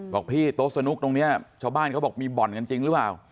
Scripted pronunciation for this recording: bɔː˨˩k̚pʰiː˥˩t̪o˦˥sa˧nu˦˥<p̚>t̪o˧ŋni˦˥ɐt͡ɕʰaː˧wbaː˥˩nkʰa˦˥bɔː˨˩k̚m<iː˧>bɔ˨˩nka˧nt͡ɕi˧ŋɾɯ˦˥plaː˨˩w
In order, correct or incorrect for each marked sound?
incorrect: k̚, correct

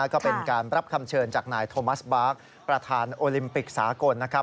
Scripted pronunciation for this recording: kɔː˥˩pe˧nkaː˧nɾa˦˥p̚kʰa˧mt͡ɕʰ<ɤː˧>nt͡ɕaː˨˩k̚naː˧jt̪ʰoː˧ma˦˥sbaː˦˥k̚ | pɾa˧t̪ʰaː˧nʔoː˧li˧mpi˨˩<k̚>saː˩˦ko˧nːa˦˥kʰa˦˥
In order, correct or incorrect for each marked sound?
correct, correct

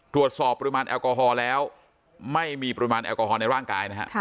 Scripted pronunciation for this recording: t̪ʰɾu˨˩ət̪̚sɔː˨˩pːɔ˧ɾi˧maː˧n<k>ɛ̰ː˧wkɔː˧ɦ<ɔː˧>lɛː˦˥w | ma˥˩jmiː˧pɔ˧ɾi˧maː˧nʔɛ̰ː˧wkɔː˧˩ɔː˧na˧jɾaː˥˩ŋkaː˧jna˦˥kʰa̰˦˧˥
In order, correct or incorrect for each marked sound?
incorrect: ʔ, correct

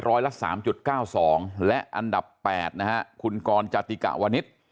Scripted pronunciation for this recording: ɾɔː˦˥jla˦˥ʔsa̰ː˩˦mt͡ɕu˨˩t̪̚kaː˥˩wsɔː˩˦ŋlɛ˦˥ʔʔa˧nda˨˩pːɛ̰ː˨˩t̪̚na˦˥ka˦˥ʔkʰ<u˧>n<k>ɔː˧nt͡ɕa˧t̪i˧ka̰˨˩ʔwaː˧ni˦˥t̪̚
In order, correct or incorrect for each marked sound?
correct, correct

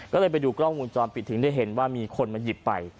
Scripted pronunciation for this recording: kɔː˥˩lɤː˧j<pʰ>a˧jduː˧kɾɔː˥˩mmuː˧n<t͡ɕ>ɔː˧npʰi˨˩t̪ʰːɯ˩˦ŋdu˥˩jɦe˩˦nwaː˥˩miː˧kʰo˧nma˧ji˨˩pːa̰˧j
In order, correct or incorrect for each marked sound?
incorrect: p, correct

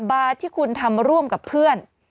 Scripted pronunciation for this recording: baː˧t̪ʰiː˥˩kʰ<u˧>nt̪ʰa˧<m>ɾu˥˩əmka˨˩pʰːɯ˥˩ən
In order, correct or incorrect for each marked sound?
correct, correct

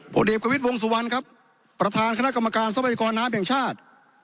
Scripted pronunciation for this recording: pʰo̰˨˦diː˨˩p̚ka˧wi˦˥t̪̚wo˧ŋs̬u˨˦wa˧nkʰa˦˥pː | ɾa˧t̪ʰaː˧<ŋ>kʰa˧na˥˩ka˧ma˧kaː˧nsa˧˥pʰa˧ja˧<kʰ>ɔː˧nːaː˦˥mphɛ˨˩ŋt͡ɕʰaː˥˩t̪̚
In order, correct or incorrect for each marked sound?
incorrect: n, incorrect: k

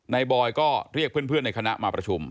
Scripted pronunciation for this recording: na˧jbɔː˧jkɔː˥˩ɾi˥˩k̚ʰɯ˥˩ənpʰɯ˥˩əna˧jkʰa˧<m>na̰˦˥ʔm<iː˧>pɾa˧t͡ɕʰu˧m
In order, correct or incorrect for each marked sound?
incorrect: none, incorrect: aː˧

